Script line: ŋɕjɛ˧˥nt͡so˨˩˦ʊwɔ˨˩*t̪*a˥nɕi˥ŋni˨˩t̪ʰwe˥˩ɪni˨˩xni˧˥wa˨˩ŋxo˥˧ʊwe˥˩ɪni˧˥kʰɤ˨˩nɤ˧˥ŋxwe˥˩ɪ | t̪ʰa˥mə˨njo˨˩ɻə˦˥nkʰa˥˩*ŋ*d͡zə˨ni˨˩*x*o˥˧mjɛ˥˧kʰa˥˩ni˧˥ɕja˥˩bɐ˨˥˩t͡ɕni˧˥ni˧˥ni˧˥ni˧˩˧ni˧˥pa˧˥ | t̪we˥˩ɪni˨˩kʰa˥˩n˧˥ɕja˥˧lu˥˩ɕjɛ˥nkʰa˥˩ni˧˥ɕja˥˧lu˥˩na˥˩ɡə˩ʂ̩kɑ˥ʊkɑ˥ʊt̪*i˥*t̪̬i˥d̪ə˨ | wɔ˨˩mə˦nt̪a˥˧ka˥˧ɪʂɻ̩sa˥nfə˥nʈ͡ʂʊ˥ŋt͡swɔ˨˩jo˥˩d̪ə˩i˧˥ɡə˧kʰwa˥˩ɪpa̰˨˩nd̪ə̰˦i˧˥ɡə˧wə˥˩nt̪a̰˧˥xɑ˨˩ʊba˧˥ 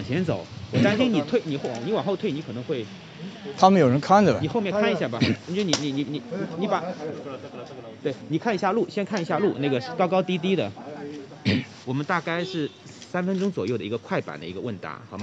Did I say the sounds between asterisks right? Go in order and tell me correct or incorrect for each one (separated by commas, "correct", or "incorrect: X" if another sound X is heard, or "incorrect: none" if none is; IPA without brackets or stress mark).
correct, incorrect: n, correct, correct